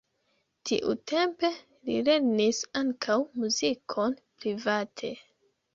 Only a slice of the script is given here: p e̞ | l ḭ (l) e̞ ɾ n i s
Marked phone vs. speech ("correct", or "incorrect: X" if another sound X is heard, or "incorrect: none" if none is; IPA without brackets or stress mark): correct